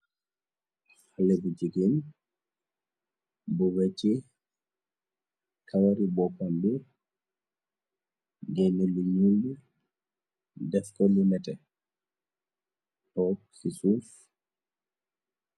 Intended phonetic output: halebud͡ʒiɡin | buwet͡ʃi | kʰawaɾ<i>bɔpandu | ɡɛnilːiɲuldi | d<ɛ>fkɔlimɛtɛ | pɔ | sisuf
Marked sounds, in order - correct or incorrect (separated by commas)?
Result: correct, correct